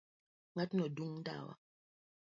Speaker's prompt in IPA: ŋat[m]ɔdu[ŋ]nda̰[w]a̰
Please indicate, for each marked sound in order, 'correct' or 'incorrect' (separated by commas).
incorrect, correct, correct